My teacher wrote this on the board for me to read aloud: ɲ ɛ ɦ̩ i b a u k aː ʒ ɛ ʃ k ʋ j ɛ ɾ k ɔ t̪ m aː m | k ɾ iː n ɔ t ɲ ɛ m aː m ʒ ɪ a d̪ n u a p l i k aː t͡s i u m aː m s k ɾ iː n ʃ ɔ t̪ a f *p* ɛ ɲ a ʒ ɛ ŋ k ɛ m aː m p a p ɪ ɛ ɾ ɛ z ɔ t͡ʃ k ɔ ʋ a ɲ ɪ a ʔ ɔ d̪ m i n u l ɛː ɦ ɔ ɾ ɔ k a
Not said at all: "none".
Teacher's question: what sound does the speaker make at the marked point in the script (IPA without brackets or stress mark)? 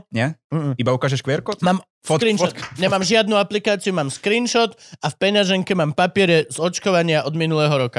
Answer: p